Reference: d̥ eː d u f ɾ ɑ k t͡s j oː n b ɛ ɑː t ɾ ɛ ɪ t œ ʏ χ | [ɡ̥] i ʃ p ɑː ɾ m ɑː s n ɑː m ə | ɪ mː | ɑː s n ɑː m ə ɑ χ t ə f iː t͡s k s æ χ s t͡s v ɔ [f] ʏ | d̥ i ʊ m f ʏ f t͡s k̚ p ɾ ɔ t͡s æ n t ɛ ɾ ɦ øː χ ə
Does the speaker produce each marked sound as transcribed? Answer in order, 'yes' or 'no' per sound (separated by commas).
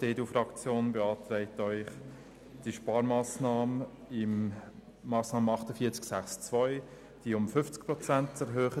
no, no